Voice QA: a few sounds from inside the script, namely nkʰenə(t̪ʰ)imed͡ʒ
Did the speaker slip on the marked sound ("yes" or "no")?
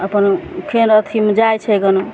no